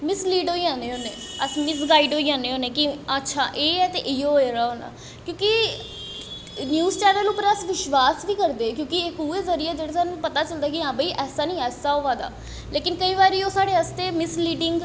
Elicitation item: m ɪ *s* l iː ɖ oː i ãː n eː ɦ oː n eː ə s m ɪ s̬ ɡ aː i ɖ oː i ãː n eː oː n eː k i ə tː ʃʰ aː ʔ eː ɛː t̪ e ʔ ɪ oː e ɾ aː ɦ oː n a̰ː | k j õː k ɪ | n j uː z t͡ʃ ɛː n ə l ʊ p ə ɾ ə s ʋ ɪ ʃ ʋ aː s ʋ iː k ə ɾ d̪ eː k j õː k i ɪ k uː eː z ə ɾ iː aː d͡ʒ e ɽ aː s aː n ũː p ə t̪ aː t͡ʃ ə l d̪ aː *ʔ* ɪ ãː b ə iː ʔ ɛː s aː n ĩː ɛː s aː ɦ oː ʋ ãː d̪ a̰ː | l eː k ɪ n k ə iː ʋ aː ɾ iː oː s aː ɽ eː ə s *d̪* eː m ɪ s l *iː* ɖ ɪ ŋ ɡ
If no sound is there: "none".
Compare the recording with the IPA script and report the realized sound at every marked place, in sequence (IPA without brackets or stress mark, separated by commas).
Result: s, k, t̪, iː